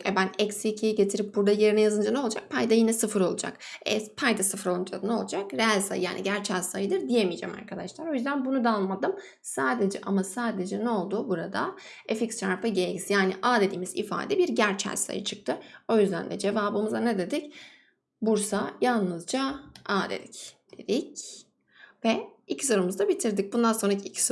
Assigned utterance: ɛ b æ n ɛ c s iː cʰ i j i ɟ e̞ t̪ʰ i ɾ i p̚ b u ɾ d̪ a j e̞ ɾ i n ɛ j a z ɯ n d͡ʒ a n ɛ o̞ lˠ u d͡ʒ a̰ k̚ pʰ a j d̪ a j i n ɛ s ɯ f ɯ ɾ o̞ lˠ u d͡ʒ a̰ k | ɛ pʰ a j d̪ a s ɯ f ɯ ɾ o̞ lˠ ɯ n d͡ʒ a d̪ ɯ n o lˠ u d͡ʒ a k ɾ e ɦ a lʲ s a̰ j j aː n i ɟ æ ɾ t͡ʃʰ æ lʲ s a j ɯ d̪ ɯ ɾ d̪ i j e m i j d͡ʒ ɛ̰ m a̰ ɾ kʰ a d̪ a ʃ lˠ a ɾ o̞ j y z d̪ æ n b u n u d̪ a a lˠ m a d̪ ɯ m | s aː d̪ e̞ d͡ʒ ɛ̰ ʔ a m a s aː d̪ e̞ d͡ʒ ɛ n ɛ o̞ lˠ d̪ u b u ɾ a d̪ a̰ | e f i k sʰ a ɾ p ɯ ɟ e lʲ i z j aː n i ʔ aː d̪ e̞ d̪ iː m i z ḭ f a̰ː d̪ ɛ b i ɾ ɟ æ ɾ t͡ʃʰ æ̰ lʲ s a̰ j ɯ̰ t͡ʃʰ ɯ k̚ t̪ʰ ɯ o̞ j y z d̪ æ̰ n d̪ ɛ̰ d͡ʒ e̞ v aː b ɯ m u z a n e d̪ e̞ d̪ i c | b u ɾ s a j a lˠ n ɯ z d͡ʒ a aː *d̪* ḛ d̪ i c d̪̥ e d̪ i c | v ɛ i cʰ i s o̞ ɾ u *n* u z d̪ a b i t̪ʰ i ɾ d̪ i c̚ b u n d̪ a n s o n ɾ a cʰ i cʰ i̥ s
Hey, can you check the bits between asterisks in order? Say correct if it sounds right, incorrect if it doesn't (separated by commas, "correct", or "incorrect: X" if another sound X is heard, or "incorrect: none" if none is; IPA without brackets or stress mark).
correct, incorrect: m